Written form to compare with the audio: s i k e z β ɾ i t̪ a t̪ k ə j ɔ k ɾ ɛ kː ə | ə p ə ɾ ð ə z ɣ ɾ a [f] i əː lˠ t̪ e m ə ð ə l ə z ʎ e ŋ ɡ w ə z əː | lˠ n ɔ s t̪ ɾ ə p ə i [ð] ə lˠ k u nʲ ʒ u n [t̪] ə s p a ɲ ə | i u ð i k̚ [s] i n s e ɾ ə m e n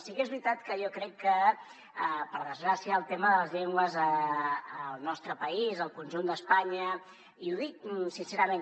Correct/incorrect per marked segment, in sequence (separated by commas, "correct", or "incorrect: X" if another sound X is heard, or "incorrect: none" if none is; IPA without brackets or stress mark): incorrect: s, incorrect: z, incorrect: d̪, correct